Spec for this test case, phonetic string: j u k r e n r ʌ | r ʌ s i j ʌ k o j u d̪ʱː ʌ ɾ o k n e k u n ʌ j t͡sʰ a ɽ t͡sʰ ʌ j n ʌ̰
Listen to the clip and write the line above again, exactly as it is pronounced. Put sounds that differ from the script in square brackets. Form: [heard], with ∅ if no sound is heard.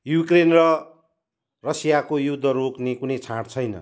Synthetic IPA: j u k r e n r ʌ | r ʌ s i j [a] k o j u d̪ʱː ʌ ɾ o k n e k u n ʌ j t͡sʰ a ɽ t͡sʰ ʌ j n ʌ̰